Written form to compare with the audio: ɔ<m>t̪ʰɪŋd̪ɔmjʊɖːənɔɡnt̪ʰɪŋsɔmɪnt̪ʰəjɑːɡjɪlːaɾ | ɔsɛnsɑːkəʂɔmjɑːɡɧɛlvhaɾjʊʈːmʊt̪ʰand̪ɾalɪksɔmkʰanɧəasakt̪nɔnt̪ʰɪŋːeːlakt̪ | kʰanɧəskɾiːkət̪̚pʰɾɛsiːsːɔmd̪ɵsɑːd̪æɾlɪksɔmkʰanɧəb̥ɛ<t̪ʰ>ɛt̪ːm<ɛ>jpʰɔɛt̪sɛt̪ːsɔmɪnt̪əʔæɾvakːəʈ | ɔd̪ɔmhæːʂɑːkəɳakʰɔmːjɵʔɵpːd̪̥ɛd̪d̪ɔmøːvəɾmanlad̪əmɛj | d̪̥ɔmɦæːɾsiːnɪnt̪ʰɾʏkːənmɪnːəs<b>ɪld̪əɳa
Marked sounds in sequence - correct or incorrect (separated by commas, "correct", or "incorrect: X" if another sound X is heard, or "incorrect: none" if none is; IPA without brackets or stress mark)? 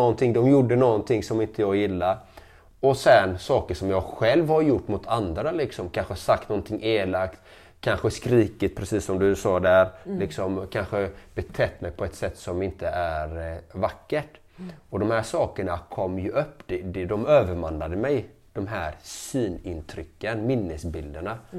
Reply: incorrect: n, correct, correct, correct